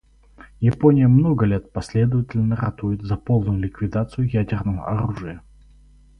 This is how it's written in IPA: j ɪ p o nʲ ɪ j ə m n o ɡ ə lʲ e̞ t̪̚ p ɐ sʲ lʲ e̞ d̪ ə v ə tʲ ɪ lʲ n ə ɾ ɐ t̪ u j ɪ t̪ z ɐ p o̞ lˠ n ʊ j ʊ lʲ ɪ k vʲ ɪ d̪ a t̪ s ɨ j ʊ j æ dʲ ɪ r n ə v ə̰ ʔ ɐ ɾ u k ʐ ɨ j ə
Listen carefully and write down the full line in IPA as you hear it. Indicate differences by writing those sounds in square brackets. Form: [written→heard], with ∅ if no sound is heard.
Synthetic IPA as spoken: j ɪ p o nʲ ɪ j ə m n o ɡ ə lʲ e̞ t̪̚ p ɐ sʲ lʲ e̞ d̪ ə v ə tʲ ɪ lʲ n ə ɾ ɐ t̪ u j ɪ t̪ z ɐ p o̞ lˠ n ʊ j ʊ lʲ ɪ k vʲ ɪ d̪ a t̪ s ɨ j ʊ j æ dʲ ɪ r n ə v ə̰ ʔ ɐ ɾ u [k→∅] ʐ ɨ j ə